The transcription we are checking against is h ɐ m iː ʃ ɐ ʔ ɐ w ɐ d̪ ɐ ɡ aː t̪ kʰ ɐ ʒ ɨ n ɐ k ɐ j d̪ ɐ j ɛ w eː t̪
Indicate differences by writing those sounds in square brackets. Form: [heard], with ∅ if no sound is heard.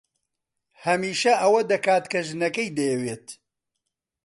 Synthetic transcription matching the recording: h ɐ m iː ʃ ɐ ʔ ɐ w ɐ d̪ ɐ [k] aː t̪ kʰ ɐ ʒ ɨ n ɐ k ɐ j d̪ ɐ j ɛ w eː t̪

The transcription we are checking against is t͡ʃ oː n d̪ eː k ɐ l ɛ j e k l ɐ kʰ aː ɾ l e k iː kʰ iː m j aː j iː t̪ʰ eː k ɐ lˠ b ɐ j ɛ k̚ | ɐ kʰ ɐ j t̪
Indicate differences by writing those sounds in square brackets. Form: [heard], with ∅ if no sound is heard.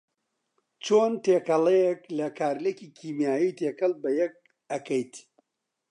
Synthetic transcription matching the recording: t͡ʃ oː n [t̪] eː k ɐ l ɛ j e k l ɐ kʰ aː ɾ l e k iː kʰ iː m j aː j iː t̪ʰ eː k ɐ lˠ b ɐ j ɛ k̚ | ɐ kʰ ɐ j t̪

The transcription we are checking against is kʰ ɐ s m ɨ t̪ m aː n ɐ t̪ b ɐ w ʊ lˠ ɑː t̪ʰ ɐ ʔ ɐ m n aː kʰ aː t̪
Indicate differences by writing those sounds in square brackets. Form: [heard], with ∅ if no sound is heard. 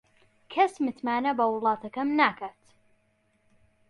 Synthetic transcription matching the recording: kʰ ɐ s m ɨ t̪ m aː n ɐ [∅] b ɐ w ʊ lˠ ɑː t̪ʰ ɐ [k] ɐ m n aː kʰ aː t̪

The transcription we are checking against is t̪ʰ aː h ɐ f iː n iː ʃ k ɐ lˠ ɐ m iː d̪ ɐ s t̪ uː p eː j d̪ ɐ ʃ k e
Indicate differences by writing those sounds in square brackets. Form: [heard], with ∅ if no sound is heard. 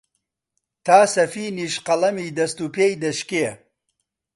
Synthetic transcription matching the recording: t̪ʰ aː [s] ɐ f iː n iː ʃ [q] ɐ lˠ ɐ m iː d̪ ɐ s t̪ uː p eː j d̪ ɐ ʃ k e

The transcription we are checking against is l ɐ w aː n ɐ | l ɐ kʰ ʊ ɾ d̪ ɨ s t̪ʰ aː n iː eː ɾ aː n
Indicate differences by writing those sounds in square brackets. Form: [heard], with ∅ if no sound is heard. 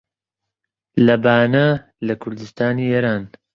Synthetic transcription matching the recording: l ɐ [b] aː n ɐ | l ɐ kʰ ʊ ɾ d̪ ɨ s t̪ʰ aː n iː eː ɾ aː n

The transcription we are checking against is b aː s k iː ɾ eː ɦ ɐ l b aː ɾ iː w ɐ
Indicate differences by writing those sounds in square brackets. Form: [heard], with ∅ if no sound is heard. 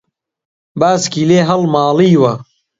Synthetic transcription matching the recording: b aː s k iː [l] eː ɦ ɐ l [m] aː [l] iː w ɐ

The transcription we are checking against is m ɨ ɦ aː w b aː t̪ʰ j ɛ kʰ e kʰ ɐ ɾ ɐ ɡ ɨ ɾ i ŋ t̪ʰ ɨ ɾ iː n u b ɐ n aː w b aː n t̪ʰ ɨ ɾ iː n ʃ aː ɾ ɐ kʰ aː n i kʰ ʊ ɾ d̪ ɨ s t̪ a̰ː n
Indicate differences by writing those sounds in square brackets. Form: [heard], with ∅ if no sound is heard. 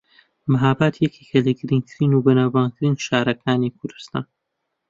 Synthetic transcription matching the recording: m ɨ ɦ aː [∅] b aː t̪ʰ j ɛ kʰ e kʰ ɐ [l] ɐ ɡ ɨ ɾ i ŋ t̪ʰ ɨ ɾ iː n u b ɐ n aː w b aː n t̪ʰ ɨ ɾ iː n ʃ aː ɾ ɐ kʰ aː n i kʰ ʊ ɾ d̪ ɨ s t̪ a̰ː n

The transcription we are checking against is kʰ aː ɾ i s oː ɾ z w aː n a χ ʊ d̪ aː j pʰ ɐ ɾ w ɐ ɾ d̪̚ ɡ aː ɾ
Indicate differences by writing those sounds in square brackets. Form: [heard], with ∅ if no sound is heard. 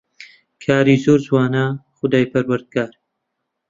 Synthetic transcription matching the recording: kʰ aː ɾ i [z] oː ɾ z w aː n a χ ʊ d̪ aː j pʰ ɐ ɾ w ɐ ɾ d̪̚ ɡ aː ɾ

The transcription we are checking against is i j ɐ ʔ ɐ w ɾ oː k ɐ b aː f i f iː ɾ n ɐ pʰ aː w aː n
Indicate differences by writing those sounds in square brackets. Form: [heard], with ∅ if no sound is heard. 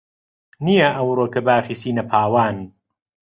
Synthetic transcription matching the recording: i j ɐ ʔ ɐ w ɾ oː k ɐ b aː f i [s] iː [∅] n ɐ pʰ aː w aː n

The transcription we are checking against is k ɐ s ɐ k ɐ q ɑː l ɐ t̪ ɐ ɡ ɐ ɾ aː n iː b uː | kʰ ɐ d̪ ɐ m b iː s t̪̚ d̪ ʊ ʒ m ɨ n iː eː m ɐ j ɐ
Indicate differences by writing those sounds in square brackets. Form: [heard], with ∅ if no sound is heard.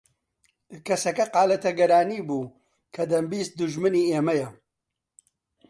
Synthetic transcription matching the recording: k ɐ s ɐ k ɐ q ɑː l ɐ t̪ ɐ ɡ ɐ ɾ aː n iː b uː | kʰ ɐ d̪ ɐ m b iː s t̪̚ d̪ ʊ ʒ m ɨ n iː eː m ɐ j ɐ

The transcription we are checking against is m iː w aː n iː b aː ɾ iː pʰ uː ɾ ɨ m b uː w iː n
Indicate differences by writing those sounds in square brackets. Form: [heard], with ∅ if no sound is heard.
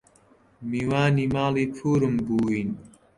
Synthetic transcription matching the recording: m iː w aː n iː [m] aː [l] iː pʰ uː ɾ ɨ m b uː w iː n

